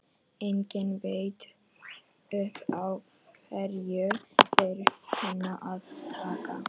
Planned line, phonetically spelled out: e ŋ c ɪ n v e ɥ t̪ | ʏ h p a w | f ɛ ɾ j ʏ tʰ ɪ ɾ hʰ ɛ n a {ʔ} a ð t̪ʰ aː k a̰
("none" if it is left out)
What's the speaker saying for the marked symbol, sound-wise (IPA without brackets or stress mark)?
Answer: ʔ